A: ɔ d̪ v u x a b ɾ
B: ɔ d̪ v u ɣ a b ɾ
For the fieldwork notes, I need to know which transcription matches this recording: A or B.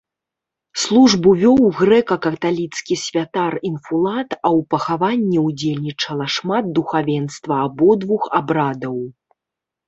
A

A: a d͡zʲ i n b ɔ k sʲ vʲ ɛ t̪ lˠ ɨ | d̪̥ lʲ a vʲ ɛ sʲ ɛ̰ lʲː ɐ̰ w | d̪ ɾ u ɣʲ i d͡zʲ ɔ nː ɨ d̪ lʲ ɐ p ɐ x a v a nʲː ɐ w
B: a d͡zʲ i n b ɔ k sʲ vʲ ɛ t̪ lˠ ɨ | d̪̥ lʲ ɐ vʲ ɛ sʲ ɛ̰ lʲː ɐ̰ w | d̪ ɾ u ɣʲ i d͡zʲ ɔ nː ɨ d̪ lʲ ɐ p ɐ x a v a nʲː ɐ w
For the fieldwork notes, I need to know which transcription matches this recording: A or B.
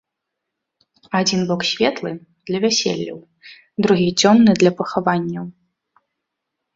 B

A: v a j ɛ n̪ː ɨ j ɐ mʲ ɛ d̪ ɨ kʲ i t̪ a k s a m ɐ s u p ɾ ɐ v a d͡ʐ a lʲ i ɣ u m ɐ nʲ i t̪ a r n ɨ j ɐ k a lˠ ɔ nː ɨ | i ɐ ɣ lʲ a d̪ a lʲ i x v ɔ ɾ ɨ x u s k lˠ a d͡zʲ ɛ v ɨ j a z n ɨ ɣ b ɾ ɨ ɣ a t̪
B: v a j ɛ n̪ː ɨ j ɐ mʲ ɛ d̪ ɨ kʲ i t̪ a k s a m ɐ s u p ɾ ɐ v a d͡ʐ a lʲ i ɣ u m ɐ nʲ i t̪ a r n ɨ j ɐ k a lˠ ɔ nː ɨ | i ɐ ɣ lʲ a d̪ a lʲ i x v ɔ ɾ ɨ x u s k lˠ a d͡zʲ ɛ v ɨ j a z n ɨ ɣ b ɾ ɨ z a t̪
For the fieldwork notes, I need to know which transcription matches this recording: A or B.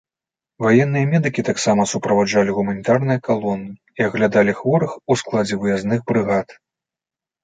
A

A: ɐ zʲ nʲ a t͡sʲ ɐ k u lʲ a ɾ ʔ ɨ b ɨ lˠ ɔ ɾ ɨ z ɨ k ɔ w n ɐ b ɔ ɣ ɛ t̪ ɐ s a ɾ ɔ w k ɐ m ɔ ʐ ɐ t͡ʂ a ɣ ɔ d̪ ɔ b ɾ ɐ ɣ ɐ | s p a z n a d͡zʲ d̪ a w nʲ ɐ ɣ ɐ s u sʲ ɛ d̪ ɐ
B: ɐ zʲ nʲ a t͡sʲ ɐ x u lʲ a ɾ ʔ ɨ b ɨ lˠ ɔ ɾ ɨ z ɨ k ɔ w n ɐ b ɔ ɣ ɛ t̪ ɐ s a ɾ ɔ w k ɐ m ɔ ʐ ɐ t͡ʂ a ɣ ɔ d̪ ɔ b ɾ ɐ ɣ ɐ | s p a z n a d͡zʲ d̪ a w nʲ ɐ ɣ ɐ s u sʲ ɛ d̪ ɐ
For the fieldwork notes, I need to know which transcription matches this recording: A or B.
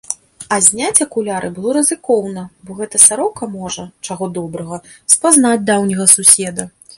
A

